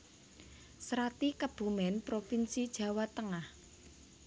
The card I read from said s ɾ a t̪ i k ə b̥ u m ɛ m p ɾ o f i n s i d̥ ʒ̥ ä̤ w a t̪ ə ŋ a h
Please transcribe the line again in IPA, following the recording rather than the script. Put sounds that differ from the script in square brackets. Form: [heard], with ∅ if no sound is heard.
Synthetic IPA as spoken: s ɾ a t̪ i k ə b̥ u m ɛ [n] p ɾ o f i n s i d̥ ʒ̥ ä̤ w a t̪ ə ŋ a h